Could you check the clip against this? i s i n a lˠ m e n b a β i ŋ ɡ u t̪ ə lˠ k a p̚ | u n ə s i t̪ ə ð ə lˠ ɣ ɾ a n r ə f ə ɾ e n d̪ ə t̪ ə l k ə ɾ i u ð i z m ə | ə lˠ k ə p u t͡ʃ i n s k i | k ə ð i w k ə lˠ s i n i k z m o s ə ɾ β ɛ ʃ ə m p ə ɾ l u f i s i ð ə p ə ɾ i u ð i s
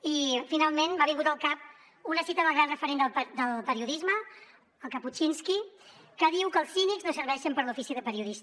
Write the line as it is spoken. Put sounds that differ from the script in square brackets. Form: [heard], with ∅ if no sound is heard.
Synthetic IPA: i [f] i n a lˠ m e n b a β i ŋ ɡ u t̪ ə lˠ k a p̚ | u n ə s i t̪ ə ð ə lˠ ɣ ɾ a n r ə f ə ɾ e n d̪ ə [d̪] ə l [p] ə ɾ i u ð i z m ə | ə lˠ k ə p u t͡ʃ i n s k i | k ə ð i w k ə lˠ s i n i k z [n] o s ə ɾ β ɛ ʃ ə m p ə ɾ l u f i s i ð ə p ə ɾ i u ð i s